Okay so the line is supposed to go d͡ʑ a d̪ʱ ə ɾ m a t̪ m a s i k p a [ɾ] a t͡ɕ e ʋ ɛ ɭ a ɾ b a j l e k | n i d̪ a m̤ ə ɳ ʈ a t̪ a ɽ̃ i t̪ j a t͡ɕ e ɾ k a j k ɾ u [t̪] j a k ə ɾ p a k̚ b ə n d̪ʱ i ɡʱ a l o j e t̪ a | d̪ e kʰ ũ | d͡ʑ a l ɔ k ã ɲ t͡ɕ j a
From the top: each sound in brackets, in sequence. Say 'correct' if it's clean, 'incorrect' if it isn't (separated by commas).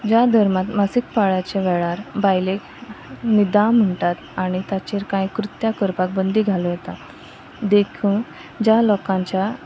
incorrect, correct